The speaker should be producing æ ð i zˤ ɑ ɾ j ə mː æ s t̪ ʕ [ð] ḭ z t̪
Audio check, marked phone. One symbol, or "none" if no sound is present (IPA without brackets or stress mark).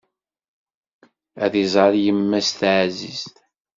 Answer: z